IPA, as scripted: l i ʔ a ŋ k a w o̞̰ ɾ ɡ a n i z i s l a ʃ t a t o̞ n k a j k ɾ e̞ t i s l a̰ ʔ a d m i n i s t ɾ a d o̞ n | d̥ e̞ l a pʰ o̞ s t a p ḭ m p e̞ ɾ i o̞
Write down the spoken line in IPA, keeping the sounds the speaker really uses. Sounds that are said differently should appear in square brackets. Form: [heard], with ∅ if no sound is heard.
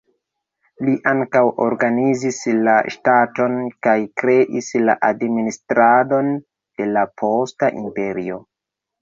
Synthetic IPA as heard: l i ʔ a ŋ k a w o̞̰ ɾ ɡ a n i z i s l a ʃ t a t o̞ n k a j k ɾ e̞ [ʔ] i s l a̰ ʔ a d m i n i s t ɾ a d o̞ n | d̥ e̞ l a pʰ o̞ s t a [ʔ] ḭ m p e̞ ɾ i o̞